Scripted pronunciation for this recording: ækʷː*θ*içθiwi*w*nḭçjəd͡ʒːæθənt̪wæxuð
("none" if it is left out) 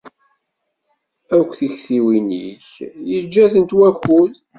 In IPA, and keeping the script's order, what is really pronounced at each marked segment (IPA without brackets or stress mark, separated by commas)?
θ, none